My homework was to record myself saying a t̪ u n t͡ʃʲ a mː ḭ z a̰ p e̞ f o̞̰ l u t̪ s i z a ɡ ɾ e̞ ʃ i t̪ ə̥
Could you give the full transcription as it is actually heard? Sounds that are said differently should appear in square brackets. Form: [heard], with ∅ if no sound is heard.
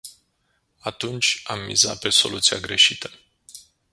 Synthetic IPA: a t̪ u n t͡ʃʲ a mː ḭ z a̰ p e̞ [s] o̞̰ l u t̪ s i [∅] a ɡ ɾ e̞ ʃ i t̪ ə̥